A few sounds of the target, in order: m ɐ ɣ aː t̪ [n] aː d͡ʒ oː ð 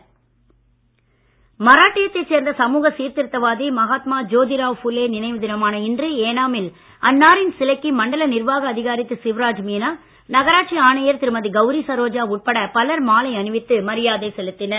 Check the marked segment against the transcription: incorrect: m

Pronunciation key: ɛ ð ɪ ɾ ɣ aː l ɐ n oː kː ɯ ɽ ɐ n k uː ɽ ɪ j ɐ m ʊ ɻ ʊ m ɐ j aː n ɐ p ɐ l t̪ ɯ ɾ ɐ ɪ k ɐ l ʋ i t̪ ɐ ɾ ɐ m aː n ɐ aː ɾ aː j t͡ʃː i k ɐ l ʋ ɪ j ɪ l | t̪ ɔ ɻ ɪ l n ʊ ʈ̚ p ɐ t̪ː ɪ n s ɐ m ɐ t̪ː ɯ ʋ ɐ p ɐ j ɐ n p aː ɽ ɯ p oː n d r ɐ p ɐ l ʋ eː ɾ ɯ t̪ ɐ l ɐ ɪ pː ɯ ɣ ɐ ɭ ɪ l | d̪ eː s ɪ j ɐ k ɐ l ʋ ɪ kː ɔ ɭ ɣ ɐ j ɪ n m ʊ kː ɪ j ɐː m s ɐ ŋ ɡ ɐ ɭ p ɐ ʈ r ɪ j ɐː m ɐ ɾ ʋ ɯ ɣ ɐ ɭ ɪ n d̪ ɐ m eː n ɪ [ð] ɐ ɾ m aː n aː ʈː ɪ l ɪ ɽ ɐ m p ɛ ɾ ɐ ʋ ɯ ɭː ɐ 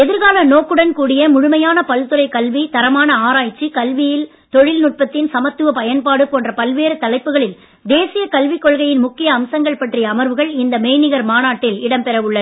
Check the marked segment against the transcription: incorrect: ɣ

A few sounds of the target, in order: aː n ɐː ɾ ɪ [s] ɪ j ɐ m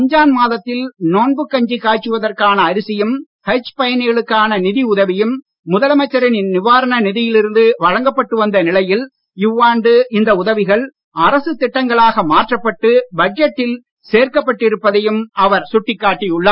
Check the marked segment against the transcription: correct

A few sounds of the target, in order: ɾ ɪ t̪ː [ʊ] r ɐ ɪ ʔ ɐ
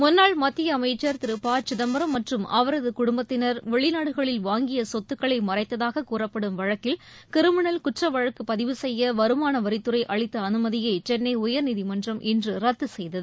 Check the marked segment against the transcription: incorrect: ɯ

